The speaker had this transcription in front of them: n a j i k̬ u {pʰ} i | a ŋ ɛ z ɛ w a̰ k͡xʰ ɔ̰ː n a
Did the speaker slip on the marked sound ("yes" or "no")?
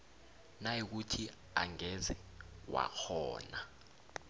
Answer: yes